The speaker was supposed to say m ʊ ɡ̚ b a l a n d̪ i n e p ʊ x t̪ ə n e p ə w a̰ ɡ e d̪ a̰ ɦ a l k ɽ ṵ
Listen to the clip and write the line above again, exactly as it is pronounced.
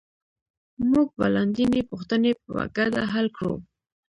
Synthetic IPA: m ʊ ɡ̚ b a l a n d̪ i n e p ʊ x t̪ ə n e p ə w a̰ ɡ a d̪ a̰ ɦ a l k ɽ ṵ